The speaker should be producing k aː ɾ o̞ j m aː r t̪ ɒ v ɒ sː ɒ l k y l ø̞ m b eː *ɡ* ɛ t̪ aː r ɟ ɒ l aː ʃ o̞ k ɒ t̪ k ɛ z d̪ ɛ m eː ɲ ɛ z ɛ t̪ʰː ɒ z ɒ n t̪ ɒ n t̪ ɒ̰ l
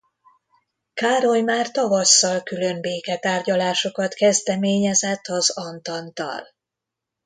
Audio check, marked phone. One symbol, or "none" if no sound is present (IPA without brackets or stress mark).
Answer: k